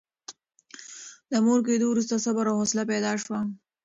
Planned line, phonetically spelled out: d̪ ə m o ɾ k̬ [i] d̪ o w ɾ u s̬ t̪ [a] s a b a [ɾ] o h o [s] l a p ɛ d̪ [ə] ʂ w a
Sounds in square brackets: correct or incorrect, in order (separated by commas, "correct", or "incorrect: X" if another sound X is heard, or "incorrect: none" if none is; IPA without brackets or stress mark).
incorrect: e, correct, correct, correct, incorrect: ɑ